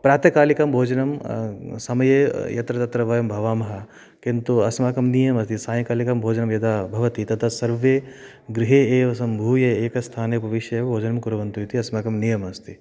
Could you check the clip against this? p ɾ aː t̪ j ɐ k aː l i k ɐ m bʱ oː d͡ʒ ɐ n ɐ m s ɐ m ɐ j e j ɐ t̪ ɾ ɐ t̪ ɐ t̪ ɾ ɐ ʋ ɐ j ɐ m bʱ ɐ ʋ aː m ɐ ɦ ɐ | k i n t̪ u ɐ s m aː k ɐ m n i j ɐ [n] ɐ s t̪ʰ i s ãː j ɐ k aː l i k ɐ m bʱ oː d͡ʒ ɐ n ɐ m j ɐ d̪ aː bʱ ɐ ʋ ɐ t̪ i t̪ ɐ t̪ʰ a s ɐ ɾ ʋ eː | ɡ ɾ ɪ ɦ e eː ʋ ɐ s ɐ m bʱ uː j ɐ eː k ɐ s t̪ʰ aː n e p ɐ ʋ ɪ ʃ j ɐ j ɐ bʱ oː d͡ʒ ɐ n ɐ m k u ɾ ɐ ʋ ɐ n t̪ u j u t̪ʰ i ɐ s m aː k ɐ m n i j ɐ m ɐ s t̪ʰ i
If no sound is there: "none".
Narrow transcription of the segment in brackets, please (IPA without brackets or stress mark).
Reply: m